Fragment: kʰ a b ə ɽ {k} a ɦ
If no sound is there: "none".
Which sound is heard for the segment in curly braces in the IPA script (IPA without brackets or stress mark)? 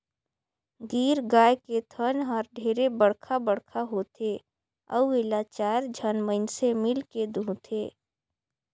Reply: kʰ